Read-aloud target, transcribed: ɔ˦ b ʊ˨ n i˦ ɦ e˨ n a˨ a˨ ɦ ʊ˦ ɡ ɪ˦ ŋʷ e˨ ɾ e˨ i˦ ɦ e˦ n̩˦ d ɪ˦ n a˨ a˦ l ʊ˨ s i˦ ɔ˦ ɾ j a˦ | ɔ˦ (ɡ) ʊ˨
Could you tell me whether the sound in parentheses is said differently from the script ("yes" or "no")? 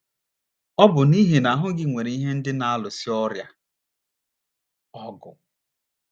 no